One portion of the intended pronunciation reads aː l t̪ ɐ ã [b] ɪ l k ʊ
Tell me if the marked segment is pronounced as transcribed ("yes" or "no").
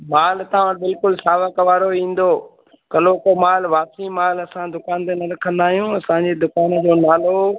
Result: yes